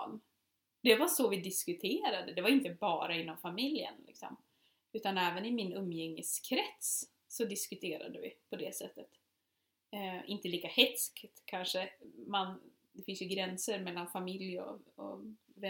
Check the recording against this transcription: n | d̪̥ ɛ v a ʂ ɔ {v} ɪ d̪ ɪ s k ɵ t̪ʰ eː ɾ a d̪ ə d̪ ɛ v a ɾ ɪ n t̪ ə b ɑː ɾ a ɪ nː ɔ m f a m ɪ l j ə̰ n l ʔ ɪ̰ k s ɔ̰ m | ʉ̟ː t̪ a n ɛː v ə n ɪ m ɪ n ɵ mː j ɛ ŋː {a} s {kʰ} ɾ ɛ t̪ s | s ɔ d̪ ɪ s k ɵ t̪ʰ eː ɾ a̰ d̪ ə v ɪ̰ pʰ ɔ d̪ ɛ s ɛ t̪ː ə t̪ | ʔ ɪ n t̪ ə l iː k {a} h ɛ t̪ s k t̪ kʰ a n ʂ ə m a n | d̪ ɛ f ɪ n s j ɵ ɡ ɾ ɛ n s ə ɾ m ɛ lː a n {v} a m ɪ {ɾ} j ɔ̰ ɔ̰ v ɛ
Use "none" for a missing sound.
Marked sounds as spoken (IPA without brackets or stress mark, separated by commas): v, ə, kʰ, a, f, l